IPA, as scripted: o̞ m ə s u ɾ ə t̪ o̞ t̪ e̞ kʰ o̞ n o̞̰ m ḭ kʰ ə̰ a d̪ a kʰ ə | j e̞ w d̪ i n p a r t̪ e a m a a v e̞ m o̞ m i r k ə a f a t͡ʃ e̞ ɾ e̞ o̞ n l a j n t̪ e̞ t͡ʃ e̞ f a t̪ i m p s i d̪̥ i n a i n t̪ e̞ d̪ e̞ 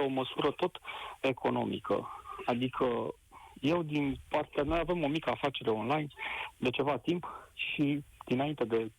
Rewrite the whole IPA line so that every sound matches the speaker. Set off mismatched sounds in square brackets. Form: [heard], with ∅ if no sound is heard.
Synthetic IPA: o̞ m ə s u ɾ ə t̪ o̞ t̪ e̞ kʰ o̞ n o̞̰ m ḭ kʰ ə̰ a d̪ [i] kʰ ə | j e̞ w d̪ i n p a r t̪ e a m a a v e̞ m o̞ m i [∅] k ə a f a t͡ʃ e̞ ɾ e̞ o̞ n l a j n [d̪] e̞ t͡ʃ e̞ [v] a t̪ i m p [ʃ] i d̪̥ i n a i n t̪ e̞ d̪ e̞